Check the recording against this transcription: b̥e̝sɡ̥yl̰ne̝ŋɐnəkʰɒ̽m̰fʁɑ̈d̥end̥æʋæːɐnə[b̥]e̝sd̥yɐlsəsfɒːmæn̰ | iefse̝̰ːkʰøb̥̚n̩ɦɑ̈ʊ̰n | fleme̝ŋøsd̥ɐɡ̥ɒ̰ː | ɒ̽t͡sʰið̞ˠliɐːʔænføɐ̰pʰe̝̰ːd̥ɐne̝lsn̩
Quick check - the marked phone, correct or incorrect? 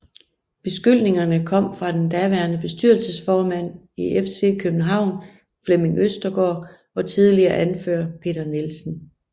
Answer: correct